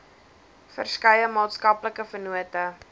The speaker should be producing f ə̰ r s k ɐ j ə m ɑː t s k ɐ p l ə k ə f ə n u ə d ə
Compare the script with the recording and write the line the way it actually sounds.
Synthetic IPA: f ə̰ r s k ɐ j ə m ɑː t s k ɐ p l ə k ə f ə n u ə t ə